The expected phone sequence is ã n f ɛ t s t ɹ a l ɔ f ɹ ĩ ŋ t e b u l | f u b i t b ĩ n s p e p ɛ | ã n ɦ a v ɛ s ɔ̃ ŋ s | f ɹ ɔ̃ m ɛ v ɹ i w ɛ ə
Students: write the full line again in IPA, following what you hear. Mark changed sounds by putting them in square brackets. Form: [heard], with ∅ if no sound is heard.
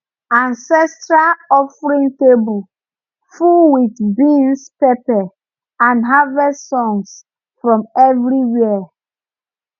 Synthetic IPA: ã n [s] ɛ [∅] s t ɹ a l ɔ f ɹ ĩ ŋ t e b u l | f u [w] i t b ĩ n s p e p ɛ | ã n ɦ a v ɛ s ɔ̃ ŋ s | f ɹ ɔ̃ m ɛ v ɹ i w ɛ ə